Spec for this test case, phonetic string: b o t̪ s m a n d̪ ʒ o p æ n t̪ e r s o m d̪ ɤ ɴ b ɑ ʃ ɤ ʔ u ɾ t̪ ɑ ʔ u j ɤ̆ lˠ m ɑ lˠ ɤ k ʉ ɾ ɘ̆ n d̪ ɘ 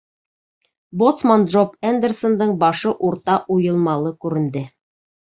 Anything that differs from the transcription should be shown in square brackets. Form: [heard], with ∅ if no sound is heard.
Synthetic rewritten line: b o t̪ s m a n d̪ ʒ o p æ n [d̪] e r s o [n] d̪ ɤ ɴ b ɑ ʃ ɤ ʔ u ɾ t̪ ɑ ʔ u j ɤ̆ lˠ m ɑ lˠ ɤ k ʉ ɾ ɘ̆ n d̪ ɘ